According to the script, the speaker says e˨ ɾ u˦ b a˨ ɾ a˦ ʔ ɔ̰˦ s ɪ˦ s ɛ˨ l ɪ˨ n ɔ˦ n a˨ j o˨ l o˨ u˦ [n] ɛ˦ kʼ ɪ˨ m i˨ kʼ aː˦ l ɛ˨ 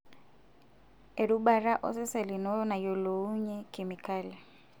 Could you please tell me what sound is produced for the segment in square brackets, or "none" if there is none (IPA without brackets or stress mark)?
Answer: ɲ